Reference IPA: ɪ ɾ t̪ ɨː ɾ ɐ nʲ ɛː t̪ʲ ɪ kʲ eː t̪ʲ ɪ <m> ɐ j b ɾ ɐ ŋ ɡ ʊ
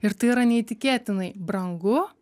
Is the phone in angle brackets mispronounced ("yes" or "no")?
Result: yes